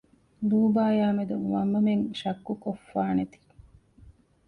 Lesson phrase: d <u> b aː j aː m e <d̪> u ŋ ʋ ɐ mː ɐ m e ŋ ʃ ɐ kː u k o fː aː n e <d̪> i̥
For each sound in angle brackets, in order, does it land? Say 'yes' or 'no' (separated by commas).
no, yes, no